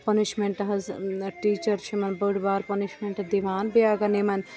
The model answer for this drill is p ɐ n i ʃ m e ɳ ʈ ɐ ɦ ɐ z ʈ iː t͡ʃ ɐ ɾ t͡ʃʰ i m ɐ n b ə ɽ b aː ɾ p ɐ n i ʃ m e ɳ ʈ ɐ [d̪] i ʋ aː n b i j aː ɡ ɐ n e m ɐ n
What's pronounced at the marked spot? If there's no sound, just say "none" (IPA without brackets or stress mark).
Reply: d̪